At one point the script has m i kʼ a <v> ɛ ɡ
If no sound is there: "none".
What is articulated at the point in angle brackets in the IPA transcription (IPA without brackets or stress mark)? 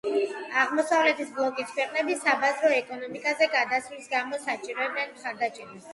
z